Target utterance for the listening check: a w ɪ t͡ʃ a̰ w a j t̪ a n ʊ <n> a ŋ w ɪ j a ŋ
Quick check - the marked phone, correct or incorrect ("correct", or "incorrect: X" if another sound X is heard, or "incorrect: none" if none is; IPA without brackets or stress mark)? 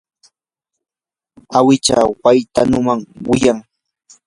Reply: incorrect: m